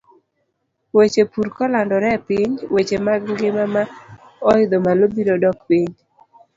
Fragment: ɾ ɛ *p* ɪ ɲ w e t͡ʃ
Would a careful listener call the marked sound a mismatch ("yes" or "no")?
no